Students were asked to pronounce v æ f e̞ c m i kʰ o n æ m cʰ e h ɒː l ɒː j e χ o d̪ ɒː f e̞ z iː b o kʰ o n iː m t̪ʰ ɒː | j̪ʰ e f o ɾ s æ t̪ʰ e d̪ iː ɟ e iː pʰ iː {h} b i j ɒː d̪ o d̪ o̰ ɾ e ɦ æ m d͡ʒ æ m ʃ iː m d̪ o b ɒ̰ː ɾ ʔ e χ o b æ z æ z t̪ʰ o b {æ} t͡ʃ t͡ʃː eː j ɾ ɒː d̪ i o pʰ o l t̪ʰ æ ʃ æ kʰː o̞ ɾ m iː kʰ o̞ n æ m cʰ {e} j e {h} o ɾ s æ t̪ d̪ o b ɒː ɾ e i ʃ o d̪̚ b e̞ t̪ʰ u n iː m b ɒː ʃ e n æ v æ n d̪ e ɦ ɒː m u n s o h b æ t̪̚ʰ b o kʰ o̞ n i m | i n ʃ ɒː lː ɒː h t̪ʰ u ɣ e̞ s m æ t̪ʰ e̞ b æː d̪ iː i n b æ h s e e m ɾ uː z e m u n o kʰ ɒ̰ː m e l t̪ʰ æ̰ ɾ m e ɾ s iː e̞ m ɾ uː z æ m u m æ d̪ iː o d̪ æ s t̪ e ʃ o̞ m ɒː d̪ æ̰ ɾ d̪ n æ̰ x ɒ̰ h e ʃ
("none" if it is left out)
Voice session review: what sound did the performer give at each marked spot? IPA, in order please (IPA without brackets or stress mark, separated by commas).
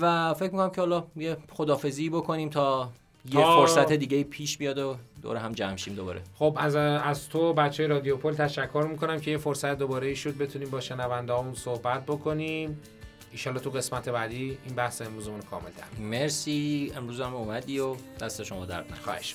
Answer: ʃ, æ, e, f